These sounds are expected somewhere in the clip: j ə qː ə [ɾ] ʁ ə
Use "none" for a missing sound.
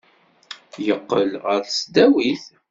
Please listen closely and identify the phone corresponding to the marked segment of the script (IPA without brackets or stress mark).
l